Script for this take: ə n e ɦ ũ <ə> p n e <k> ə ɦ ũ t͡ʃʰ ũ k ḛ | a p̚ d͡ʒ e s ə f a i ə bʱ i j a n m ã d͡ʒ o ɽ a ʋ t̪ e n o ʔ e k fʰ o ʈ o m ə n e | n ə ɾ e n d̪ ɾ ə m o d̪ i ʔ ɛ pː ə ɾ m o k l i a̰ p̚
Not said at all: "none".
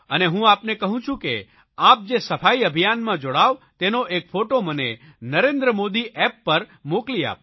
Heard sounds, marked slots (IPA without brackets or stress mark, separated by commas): a, k